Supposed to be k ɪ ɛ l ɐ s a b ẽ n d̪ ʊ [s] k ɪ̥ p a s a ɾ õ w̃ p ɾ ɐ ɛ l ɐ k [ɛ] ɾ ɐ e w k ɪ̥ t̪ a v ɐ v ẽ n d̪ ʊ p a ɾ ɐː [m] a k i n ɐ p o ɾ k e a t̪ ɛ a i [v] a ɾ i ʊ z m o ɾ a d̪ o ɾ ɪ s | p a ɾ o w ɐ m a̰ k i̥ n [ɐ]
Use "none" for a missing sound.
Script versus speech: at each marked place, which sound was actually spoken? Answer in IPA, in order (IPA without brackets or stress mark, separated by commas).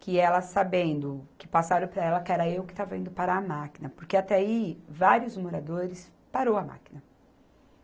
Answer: none, ɛ, m, v, ɐ